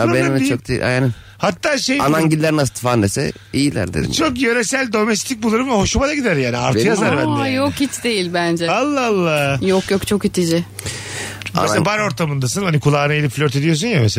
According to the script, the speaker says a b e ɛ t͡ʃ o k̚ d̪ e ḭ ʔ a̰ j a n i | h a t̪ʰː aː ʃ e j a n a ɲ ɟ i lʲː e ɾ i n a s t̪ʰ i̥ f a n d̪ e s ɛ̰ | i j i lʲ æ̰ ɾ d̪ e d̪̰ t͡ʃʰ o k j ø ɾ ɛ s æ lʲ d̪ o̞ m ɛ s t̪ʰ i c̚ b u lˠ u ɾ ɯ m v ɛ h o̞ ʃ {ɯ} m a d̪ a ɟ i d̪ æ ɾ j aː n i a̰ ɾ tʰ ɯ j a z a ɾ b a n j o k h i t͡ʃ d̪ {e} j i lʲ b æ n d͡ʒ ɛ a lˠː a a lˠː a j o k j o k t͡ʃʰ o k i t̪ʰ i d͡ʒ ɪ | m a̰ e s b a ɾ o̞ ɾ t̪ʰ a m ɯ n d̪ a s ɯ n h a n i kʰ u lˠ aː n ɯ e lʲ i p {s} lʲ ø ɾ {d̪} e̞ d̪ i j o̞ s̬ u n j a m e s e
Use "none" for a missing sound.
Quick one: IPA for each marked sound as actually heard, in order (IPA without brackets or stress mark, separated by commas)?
u, e, f, t̪